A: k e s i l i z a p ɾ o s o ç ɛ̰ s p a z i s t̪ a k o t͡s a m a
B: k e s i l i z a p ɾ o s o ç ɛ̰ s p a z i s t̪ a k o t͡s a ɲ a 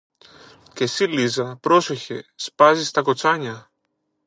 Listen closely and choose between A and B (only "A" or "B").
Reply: B